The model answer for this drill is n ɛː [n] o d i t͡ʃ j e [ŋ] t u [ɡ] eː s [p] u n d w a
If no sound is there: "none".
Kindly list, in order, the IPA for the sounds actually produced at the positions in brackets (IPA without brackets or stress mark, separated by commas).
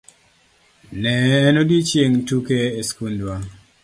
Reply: n, ŋ, k, k